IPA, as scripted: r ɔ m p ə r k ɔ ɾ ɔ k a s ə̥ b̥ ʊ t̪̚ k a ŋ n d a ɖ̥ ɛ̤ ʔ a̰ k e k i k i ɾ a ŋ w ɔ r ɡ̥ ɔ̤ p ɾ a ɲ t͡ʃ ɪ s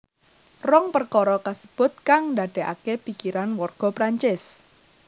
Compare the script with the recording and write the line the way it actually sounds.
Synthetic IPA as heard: r ɔ ŋ p ə r k ɔ ɾ ɔ k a s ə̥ b̥ ʊ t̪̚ k a ŋ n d a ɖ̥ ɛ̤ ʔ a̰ k e p i k i ɾ a n w ɔ r ɡ̥ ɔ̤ p ɾ a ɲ t͡ʃ ɪ s